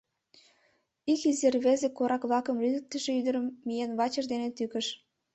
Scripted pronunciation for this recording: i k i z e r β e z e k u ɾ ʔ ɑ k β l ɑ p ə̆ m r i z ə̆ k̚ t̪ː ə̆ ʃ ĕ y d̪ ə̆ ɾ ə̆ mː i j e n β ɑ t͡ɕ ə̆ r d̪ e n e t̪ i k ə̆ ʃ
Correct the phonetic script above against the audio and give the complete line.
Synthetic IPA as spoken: i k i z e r β e z e k o ɾ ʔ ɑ k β l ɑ k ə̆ m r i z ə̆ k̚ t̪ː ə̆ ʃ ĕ y d̪ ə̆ ɾ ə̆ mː i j e n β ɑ t͡ɕ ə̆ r d̪ e n e t̪ y k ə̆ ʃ